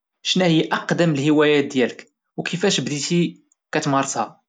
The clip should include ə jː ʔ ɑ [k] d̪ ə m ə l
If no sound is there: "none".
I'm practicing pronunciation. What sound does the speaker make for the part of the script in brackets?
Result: q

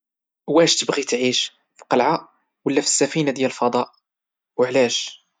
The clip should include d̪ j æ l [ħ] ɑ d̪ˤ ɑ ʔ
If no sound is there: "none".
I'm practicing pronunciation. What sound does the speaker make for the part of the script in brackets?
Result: f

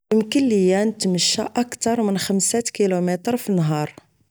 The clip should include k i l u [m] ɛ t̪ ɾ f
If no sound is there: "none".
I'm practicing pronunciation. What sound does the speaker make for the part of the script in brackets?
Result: m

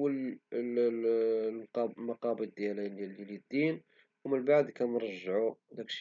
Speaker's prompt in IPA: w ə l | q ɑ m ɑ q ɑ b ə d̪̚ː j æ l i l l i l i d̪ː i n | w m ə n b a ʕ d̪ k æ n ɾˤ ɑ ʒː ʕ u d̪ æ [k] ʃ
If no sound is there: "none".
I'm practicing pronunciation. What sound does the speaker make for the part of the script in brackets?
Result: k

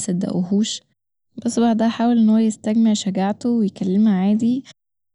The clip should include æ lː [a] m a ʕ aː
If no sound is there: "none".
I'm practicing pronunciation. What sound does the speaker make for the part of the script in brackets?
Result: e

